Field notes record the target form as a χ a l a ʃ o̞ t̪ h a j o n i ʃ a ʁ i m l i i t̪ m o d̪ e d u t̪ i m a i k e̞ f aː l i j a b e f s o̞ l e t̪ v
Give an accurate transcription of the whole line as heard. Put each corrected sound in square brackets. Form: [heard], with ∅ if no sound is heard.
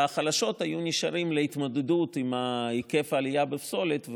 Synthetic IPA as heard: a χ a l a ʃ o̞ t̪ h a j [u] n i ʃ a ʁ i m l [e] i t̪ m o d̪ e d u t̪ i m a i k e̞ f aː l i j a b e f s o̞ l e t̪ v

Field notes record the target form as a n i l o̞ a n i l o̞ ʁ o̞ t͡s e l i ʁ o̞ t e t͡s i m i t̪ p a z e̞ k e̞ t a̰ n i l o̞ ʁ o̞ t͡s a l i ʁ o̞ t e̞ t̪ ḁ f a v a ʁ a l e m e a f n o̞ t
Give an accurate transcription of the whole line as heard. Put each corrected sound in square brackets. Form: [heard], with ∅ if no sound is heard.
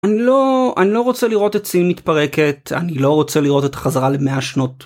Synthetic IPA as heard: a n i l o̞ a n i l o̞ ʁ o̞ t͡s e l i ʁ o̞ t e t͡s i m i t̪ p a [ʁ] e̞ k e̞ t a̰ n i l o̞ ʁ o̞ t͡s [e] l i ʁ o̞ t e̞ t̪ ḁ [χ] a [z] a ʁ a l e m e a [ʃ] n o̞ t

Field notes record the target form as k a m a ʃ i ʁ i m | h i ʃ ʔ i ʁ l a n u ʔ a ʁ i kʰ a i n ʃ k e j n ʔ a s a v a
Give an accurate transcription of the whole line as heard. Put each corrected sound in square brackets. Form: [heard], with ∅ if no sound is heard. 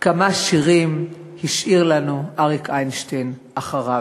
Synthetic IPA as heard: k a m a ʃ i ʁ i m | h i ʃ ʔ i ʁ l a n u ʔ a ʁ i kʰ a [j] n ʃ [t] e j n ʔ a [χ] a [ʁ] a

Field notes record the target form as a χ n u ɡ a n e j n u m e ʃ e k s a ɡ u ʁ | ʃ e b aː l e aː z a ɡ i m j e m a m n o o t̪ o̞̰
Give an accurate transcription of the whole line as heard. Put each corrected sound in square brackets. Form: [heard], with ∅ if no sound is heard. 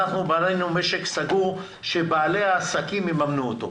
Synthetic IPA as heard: a χ n u [b] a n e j n u m e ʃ e k s a ɡ u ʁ | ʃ e b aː l e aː [s] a [k] i m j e m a m n [u] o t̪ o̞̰

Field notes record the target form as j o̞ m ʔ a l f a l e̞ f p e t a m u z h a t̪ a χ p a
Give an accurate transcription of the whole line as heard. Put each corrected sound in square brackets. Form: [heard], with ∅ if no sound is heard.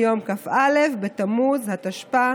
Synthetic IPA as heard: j o̞ m [k] a [∅] f a l e̞ f [b] e t a m u z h a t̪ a [ʃ] p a

